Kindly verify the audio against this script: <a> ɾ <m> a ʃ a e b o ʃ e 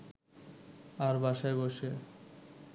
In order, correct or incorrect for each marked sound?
correct, incorrect

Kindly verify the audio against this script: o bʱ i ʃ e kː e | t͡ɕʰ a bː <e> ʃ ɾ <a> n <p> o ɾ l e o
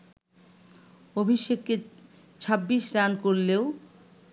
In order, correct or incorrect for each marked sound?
incorrect, correct, incorrect

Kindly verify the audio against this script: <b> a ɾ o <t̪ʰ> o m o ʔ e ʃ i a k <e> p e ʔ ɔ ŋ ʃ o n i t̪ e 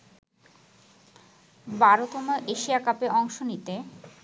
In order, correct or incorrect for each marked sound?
correct, incorrect, incorrect

